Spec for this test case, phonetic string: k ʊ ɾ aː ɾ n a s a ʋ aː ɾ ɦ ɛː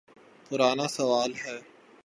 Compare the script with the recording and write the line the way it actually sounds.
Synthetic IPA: p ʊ ɾ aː n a s ɐ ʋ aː l ɦ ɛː